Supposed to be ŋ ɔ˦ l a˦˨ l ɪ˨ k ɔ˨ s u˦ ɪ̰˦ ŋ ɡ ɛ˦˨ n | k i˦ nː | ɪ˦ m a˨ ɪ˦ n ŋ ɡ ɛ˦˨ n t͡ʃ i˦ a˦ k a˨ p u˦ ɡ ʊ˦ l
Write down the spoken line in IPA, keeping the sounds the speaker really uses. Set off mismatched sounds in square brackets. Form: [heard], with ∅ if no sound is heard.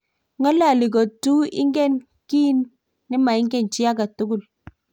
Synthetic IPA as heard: ŋ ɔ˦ l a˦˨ l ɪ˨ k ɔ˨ [t] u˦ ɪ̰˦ ŋ ɡ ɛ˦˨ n | k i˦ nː | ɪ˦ m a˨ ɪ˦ [∅] ŋ ɡ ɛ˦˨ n t͡ʃ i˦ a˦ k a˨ [t] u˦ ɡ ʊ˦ l